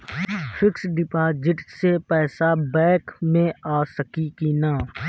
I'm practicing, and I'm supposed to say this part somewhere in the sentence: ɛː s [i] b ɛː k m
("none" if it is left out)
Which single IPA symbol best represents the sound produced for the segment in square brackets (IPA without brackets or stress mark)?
a